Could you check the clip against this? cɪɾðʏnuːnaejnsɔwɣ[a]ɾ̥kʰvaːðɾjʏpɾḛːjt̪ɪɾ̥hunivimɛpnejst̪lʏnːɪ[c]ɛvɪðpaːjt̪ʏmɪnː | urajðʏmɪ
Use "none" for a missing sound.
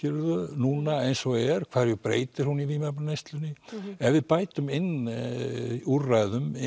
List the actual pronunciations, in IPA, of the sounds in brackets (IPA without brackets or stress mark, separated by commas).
ɛ, none